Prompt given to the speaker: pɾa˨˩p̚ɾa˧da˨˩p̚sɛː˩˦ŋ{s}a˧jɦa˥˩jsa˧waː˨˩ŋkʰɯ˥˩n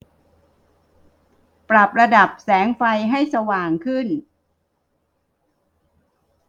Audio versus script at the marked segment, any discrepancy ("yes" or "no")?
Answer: yes